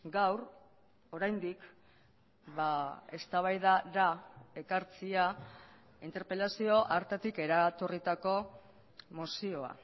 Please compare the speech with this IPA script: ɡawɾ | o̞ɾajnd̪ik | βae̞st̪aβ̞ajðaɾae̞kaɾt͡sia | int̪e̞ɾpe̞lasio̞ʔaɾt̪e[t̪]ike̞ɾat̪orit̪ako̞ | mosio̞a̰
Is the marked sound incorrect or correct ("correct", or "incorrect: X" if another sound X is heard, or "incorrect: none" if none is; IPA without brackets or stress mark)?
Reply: correct